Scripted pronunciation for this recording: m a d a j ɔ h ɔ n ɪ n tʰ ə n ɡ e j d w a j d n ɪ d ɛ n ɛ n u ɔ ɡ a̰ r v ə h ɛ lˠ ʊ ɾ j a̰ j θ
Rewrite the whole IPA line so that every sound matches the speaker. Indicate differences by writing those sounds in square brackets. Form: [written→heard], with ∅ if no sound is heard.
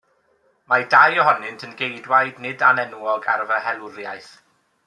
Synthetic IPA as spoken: m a d a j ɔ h ɔ n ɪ n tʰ ə n ɡ e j d w a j d n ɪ d [ɛ→a] n ɛ n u ɔ ɡ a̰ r v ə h ɛ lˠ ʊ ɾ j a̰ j θ